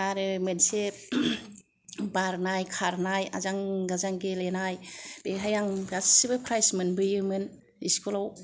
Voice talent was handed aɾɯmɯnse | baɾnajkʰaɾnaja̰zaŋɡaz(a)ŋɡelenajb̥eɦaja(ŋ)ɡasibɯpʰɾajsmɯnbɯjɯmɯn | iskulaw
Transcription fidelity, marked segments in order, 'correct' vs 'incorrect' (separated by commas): correct, correct